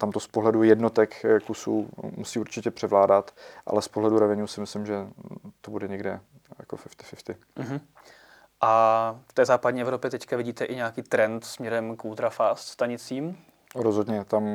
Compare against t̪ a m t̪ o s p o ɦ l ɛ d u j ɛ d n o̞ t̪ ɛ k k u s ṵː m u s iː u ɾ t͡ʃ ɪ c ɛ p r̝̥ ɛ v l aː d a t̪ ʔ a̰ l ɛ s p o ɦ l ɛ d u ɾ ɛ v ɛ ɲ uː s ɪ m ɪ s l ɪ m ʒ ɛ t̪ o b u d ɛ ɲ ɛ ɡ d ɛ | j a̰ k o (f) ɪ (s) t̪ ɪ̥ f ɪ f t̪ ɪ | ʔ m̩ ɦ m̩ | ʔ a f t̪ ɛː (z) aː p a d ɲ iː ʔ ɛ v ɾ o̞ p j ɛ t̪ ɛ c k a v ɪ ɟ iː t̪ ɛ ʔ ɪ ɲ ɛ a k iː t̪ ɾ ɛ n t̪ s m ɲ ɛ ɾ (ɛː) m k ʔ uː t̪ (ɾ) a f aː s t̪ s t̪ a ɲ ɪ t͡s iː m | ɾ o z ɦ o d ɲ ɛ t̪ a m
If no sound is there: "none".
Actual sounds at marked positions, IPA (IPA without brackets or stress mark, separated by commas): f, f, z, ɛ, ɾ